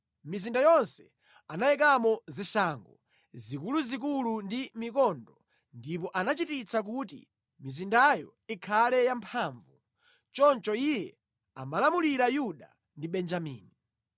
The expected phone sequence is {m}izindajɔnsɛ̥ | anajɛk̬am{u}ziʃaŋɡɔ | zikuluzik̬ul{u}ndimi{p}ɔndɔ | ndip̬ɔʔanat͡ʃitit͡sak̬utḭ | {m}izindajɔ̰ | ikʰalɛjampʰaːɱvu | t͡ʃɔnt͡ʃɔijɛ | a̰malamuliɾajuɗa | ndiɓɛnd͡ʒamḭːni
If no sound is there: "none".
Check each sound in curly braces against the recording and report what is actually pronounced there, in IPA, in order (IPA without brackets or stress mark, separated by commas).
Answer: m, ɔ, u, k, m